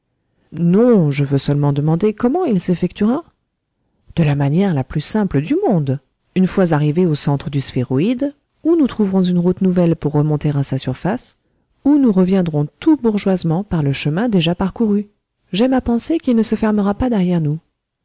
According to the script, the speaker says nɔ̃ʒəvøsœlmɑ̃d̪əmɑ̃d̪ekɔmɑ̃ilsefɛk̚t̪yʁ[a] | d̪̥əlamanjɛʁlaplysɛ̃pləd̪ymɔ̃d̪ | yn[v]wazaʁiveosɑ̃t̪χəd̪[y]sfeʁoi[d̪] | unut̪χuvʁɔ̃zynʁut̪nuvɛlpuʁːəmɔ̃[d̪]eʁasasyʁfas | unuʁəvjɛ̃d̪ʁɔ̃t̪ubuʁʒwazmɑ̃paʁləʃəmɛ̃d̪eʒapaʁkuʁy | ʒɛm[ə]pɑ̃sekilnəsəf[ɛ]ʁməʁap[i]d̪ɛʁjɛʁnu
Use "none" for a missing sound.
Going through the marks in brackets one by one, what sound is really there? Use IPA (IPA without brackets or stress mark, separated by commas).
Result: a, f, y, d̪, t̪, a, ɛ, a